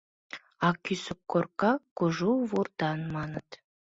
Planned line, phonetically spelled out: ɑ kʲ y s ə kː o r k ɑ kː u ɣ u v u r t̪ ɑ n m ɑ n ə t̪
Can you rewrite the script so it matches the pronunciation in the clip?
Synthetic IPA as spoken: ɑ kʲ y s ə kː o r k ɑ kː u ʒ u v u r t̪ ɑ n m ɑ n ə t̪